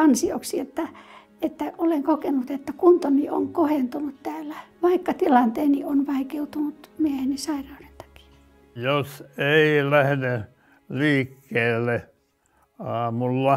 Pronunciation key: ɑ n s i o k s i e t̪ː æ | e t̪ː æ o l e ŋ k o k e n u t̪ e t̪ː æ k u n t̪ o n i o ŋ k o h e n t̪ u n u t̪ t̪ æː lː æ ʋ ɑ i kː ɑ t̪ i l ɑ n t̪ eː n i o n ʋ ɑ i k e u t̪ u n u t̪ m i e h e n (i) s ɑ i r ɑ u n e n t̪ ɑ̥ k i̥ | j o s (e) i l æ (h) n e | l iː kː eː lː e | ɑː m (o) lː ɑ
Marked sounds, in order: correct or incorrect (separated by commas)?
correct, correct, correct, incorrect